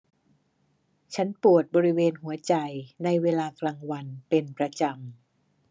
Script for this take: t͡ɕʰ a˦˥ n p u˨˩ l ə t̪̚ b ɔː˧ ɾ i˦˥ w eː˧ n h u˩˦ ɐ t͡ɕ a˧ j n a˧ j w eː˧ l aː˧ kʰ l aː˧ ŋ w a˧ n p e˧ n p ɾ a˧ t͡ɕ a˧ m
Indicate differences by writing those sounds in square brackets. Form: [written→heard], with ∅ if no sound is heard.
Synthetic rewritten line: t͡ɕʰ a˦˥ n p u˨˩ [l→∅] ə t̪̚ b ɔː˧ ɾ i˦˥ w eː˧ n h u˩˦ ɐ t͡ɕ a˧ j n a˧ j w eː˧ l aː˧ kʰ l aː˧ ŋ w a˧ n p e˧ n p ɾ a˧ t͡ɕ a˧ m